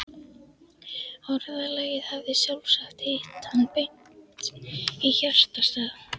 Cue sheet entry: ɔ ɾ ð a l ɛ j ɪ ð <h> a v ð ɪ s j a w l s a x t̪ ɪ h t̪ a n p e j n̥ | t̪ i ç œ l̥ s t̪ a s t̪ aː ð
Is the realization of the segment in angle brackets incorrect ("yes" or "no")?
no